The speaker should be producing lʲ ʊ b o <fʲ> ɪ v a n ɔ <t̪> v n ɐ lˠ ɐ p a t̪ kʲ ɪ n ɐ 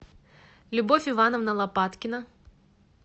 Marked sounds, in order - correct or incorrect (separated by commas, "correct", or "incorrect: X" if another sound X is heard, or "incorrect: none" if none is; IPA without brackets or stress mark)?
correct, incorrect: none